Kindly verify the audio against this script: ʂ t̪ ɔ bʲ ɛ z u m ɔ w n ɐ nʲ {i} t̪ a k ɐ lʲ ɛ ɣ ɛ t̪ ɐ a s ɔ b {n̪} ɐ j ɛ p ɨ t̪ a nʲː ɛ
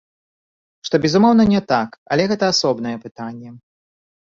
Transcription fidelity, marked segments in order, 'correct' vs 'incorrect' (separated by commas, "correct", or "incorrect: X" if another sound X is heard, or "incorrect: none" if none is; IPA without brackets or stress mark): incorrect: ɛ, correct